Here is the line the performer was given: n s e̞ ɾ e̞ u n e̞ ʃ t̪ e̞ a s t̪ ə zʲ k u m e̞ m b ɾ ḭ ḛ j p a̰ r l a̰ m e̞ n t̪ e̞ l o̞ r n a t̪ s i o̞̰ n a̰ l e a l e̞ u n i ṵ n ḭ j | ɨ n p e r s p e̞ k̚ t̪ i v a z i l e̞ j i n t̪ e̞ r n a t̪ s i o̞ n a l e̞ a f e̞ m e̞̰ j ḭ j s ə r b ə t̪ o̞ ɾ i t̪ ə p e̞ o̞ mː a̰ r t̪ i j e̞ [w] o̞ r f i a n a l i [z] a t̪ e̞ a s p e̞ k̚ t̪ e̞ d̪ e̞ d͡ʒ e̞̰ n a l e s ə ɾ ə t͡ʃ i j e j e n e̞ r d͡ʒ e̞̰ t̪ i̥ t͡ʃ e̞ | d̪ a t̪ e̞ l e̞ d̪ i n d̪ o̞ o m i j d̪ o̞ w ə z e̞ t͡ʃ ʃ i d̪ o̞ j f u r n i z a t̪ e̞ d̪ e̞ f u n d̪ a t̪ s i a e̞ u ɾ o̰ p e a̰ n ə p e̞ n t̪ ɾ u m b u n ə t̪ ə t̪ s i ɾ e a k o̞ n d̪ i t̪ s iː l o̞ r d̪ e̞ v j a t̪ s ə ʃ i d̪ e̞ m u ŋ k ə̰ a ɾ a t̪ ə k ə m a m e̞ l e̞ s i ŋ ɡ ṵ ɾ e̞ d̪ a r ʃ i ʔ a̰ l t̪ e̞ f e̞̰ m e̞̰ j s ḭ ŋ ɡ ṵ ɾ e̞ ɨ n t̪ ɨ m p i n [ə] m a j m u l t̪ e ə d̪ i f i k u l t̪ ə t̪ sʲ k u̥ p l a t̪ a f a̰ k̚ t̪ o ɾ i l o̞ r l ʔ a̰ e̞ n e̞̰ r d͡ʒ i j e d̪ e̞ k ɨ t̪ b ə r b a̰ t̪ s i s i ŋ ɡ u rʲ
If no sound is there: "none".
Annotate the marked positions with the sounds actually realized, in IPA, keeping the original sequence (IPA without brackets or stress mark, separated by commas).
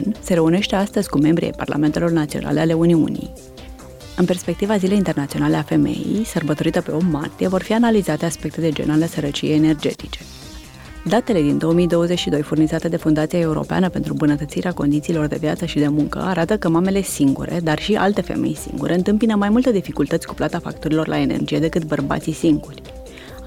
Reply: v, z, ə